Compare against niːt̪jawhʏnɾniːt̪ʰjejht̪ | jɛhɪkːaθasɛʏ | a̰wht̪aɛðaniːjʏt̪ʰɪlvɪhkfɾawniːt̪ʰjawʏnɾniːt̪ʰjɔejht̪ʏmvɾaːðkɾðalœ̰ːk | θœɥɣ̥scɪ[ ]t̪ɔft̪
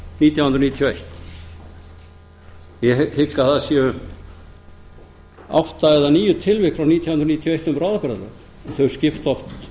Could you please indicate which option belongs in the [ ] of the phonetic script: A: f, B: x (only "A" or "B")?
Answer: A